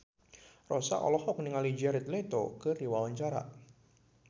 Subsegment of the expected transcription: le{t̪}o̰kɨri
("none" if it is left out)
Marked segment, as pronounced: t̪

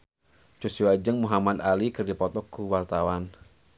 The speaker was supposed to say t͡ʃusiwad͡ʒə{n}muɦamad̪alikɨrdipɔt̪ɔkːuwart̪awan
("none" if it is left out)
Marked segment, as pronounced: ŋ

